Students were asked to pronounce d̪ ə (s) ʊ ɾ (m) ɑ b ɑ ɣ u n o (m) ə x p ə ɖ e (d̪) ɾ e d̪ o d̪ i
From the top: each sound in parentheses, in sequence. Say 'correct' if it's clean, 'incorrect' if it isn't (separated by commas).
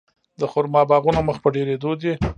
incorrect, correct, correct, incorrect